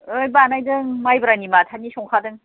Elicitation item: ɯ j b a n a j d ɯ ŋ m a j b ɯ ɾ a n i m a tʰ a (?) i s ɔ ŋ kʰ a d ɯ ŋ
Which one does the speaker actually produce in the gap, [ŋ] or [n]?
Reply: n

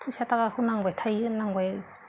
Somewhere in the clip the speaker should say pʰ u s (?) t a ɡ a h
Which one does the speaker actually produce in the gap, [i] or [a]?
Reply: a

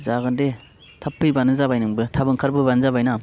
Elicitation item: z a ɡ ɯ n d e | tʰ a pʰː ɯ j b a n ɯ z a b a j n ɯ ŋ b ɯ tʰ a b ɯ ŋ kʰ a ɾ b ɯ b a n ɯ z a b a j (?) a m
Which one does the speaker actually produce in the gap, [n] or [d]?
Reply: n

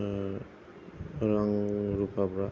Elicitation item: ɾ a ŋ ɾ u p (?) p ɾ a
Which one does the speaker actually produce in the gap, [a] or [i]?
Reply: a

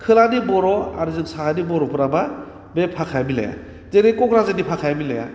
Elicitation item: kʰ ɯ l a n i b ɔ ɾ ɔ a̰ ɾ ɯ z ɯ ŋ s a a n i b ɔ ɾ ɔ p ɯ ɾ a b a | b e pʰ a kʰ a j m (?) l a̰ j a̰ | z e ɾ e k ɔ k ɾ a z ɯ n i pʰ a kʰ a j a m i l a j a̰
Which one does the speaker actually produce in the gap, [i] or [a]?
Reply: i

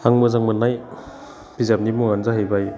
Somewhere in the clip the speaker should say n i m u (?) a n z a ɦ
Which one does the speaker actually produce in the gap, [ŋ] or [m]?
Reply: ŋ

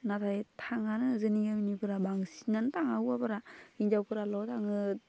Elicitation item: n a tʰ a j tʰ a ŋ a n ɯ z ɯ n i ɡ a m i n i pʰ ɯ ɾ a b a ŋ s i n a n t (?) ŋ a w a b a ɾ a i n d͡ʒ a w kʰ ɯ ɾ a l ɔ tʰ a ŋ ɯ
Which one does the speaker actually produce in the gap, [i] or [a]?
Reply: a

